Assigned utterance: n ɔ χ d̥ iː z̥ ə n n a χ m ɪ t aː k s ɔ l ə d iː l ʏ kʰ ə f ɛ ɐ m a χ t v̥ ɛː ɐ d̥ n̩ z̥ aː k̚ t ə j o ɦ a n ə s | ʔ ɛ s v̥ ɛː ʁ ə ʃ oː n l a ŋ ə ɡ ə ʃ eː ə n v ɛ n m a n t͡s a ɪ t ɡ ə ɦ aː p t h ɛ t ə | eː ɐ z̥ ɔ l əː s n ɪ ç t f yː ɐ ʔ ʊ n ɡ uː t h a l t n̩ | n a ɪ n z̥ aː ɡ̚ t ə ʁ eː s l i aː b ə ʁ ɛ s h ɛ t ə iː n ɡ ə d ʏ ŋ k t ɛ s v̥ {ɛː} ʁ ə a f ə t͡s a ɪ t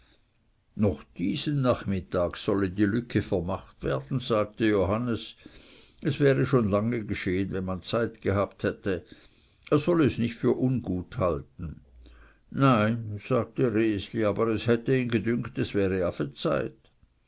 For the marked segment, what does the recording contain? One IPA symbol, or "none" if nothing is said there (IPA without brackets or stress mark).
ɛː